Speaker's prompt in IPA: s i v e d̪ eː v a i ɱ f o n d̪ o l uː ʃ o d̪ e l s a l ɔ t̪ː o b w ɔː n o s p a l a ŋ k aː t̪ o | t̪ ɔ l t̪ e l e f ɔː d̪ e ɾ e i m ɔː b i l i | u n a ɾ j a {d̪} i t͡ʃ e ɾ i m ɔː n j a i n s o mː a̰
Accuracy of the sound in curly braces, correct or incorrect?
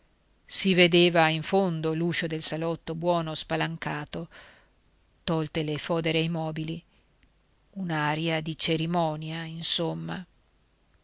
correct